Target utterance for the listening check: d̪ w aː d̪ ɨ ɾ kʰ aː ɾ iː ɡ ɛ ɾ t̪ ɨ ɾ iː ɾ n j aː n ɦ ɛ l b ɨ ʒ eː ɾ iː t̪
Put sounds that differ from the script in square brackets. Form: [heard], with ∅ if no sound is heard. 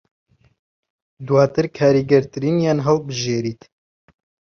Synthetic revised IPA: d̪ w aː [t̪] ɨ ɾ kʰ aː ɾ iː ɡ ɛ ɾ t̪ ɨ ɾ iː [∅] n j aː n ɦ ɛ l b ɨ ʒ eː ɾ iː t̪